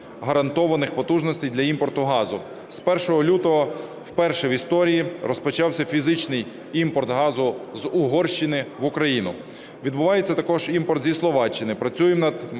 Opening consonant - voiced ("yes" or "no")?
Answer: yes